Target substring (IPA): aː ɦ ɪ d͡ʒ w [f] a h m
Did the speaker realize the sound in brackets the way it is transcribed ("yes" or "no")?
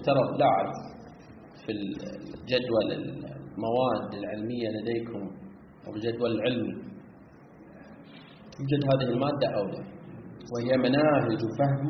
yes